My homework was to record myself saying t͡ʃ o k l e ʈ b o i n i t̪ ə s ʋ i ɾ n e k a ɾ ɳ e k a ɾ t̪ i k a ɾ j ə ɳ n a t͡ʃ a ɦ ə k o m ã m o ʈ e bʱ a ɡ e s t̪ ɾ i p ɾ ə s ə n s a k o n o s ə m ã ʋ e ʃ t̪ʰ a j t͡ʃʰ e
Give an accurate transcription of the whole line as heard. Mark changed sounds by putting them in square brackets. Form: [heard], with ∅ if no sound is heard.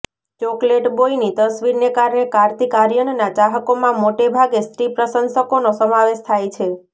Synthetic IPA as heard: t͡ʃ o k l e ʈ b o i n i t̪ ə s ʋ i ɾ n e k a ɾ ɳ e k a ɾ t̪ i k a ɾ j ə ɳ n a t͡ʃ a ɦ ə k o m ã m o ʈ e bʱ a ɡ e s t̪ ɾ i p ɾ ə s ə n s [ə] k o n o s ə m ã ʋ e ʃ t̪ʰ a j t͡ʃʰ e